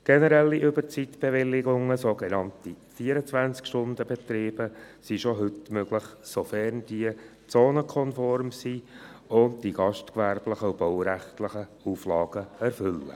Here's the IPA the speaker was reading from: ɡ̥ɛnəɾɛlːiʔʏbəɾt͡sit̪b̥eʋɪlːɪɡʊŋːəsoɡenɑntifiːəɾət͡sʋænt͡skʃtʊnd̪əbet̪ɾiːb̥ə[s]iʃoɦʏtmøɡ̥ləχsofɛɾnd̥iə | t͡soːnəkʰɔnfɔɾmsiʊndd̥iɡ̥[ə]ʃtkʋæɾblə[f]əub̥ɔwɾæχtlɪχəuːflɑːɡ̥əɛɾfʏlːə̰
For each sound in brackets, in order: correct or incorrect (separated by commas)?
correct, incorrect, incorrect